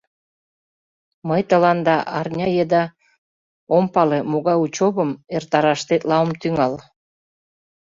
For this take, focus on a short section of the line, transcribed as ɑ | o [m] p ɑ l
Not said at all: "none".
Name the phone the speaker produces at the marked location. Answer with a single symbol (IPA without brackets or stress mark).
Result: m